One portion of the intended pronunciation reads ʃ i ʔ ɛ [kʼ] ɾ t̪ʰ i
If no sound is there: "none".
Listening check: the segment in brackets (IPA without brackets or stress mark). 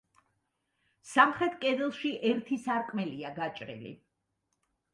none